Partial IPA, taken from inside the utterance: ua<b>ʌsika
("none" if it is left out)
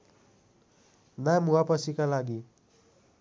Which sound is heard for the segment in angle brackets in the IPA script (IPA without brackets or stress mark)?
p